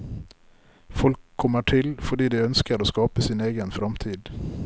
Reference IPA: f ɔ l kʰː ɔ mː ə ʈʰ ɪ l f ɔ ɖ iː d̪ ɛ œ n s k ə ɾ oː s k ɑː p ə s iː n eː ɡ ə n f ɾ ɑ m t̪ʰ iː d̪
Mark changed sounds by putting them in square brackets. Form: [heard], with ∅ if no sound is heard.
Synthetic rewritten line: f ɔ l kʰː ɔ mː ə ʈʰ ɪ l f ɔ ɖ iː d̪ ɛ œ n s k ə ɾ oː s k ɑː p ə s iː n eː ɡ ə n f ɾ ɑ m t̪ʰ iː d̪